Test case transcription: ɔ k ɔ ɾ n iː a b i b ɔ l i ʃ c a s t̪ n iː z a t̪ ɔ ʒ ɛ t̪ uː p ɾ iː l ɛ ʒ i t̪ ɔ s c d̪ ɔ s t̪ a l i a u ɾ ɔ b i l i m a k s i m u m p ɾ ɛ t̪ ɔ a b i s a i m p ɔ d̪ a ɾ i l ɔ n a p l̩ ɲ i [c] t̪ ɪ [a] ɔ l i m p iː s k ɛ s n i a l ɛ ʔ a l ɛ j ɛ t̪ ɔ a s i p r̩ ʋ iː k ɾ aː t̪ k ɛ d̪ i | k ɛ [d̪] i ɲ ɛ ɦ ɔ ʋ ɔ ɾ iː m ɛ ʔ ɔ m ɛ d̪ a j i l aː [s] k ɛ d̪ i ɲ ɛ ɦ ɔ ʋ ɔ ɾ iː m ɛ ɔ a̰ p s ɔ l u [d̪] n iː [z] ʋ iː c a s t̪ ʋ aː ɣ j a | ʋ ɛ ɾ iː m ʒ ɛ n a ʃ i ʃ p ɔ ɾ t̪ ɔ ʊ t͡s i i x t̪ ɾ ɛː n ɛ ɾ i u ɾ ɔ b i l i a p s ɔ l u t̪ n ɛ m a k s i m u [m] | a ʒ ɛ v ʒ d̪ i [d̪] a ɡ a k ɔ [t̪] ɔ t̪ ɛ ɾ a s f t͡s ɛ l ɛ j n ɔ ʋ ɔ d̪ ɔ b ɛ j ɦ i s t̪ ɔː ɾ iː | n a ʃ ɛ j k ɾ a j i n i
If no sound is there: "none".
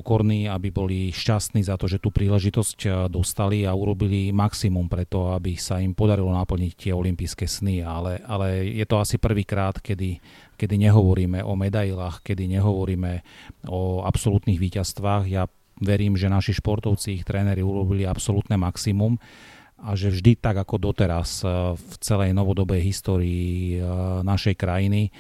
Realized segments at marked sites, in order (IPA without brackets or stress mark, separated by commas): c, ɛ, d̪, x, t̪, ɣ, m, t̪, d̪